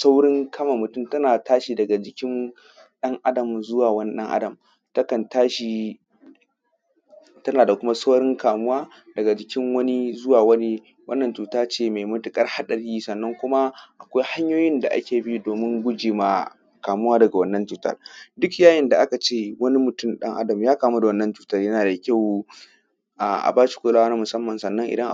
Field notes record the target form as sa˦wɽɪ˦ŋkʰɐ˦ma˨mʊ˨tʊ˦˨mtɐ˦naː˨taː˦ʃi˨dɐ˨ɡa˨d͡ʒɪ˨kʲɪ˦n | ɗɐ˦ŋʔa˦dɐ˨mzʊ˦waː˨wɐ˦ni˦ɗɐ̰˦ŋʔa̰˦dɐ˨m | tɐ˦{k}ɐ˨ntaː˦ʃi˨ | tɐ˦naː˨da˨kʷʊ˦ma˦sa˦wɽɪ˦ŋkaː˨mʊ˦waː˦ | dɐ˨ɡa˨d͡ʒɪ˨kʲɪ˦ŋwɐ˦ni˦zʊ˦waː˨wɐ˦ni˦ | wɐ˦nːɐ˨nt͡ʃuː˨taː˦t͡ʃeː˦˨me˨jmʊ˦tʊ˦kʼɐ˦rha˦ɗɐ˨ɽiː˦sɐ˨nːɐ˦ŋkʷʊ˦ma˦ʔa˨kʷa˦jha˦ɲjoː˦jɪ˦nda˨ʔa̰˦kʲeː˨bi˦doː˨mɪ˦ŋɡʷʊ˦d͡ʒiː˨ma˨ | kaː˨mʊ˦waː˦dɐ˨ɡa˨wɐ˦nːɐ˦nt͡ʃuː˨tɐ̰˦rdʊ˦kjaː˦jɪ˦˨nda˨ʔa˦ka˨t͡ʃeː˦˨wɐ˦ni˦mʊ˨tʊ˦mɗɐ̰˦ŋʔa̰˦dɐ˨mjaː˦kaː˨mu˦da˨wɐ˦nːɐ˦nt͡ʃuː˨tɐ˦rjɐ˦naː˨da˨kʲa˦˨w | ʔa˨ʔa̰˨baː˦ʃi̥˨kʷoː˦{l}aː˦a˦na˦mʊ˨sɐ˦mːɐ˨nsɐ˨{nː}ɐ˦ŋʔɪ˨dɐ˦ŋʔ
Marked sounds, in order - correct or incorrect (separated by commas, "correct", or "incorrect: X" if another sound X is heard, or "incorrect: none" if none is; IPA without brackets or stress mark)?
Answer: correct, correct, correct